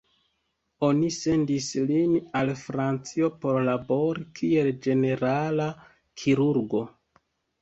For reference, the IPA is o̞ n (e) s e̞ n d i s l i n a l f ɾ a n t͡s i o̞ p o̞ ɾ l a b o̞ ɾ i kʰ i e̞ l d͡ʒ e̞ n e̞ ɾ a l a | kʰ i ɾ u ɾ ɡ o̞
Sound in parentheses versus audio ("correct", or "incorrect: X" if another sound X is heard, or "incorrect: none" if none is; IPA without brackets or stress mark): incorrect: i